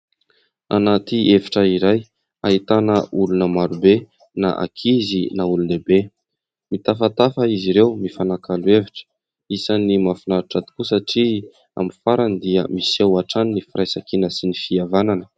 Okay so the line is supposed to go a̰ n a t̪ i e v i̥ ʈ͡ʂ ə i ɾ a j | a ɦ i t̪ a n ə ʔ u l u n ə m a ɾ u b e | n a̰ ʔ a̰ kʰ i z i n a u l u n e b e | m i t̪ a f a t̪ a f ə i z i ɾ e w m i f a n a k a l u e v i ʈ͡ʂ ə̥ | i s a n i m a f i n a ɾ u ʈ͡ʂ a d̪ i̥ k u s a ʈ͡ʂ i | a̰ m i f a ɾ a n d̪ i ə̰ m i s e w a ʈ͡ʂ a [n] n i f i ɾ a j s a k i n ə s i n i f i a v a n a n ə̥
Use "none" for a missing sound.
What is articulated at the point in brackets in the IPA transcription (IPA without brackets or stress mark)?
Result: n